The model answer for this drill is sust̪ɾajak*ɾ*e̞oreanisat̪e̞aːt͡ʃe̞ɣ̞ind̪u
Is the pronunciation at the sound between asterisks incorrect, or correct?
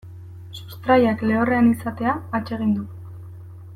incorrect: l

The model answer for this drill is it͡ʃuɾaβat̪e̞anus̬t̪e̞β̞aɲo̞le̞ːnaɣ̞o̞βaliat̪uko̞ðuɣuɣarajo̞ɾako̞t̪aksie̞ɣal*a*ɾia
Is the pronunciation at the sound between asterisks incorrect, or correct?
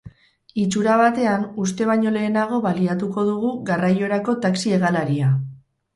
correct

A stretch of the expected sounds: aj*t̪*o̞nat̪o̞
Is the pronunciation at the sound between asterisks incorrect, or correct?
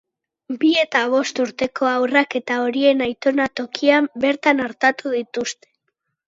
correct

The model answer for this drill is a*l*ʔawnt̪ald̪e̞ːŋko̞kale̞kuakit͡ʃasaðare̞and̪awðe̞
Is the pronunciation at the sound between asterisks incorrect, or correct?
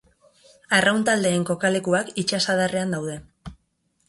incorrect: r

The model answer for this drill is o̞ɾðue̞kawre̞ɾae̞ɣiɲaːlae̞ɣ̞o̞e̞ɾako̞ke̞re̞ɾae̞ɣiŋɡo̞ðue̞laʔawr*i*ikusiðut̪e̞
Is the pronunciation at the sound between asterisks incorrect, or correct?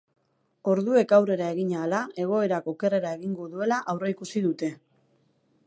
incorrect: e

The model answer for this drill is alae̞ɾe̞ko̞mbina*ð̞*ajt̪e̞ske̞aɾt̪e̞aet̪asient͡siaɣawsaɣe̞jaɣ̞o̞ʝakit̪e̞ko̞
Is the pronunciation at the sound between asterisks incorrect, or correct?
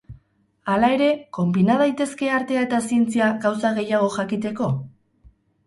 correct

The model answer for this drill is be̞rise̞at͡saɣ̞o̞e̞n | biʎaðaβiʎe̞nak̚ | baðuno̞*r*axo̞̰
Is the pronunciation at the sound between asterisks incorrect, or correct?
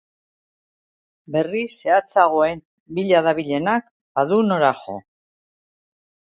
incorrect: ɾ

